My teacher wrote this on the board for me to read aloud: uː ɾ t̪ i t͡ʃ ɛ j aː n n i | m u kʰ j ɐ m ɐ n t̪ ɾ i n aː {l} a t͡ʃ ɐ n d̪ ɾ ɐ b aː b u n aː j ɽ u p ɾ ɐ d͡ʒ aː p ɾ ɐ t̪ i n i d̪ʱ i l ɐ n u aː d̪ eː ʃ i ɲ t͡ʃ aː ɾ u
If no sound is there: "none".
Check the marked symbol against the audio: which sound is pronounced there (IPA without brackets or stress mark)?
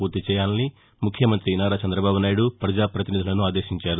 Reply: ɾ